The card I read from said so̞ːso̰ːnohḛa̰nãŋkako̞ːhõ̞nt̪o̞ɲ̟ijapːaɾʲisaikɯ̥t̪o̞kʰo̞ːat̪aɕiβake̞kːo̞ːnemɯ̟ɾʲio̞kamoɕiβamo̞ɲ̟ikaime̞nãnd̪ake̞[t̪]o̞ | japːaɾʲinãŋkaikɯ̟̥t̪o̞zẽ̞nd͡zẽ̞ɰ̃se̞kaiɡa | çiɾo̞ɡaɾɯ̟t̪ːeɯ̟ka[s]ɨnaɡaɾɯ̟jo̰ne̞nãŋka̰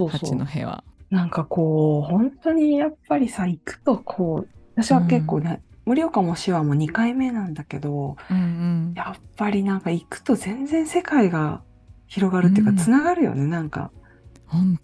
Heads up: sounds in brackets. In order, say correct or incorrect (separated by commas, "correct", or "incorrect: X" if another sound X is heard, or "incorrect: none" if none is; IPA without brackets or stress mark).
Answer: incorrect: d̪, incorrect: t͡s